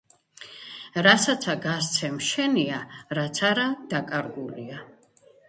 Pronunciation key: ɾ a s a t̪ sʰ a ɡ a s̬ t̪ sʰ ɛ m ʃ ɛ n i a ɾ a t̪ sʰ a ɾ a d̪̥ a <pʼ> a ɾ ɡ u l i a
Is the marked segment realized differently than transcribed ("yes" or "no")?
yes